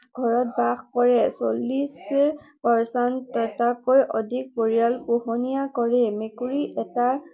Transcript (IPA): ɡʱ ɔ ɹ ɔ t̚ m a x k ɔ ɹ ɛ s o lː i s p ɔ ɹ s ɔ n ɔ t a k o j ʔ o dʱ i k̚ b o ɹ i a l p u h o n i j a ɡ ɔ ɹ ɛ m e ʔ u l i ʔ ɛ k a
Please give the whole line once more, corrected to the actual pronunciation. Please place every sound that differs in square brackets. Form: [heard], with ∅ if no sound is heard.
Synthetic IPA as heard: ɡʱ ɔ ɹ ɔ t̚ [b] a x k ɔ ɹ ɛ s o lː i s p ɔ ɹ s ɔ n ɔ t a k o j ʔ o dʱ i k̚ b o ɹ i a l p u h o n i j a [k] ɔ ɹ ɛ m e [k] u [ɹ] i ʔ ɛ [t] a

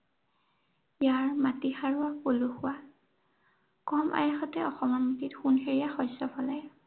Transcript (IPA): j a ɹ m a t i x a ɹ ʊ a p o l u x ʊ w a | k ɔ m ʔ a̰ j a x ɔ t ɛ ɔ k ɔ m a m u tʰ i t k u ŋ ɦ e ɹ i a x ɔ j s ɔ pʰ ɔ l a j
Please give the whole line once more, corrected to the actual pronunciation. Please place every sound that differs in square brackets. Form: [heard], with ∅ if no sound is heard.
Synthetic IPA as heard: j a ɹ m a t i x a ɹ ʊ a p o l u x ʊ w a | k ɔ m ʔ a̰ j a x ɔ t ɛ ɔ [x] ɔ m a m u [t] i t [x] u [n] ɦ e ɹ i a x ɔ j s ɔ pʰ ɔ l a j

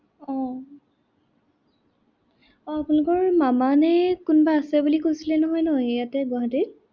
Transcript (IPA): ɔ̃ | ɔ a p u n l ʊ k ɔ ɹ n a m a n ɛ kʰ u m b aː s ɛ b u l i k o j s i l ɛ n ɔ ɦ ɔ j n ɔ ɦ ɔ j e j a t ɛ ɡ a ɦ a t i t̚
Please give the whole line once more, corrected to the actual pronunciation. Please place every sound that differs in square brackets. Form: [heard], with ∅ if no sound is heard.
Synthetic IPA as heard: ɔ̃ | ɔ a p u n l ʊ k ɔ ɹ [m] a m a n ɛ [k] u [n] b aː s ɛ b u l i k o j s i l ɛ n ɔ ɦ ɔ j n ɔ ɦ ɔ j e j a t ɛ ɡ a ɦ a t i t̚

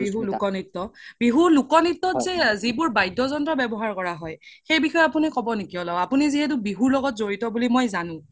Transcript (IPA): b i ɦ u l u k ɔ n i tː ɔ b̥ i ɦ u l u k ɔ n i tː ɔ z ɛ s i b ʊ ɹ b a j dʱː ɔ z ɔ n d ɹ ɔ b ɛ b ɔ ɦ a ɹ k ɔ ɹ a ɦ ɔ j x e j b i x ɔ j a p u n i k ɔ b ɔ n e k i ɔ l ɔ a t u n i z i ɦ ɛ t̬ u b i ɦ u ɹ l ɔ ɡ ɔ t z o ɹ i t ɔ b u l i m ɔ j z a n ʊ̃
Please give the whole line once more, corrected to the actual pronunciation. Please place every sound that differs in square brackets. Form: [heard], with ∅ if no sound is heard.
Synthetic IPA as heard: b i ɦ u l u k ɔ n i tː ɔ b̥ i ɦ u l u k ɔ n i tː ɔ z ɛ [z] i b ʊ ɹ b a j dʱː ɔ z ɔ n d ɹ ɔ b ɛ b ɔ ɦ a ɹ k ɔ ɹ a ɦ ɔ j x e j b i x ɔ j a p u n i k ɔ b ɔ n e k i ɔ l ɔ a [p] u n i z i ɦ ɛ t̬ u b i ɦ u ɹ l ɔ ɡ ɔ t z o ɹ i t ɔ b u l i m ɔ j z a n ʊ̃

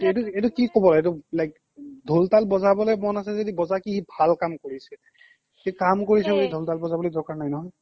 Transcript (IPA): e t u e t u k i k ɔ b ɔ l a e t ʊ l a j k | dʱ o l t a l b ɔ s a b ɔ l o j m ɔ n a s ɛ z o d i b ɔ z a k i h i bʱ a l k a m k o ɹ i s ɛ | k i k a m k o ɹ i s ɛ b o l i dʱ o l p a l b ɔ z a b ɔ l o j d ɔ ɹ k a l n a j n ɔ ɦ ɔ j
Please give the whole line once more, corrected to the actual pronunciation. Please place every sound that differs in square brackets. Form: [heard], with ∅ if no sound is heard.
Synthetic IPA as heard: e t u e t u k i k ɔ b ɔ l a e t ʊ l a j k | dʱ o l t a l b ɔ [z] a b ɔ l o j m ɔ n a s ɛ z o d i b ɔ z a k i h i bʱ a l k a m k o ɹ i s ɛ | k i k a m k o ɹ i s ɛ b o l i dʱ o l [t] a l b ɔ z a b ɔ l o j d ɔ ɹ k a [ɹ] n a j n ɔ ɦ ɔ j

